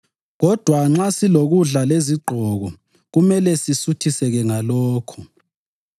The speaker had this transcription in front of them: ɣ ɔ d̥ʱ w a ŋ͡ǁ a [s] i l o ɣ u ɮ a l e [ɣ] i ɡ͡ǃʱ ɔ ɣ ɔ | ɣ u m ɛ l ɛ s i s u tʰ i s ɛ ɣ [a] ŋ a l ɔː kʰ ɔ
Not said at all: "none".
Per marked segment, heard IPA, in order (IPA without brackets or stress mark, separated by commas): s, z, ɛ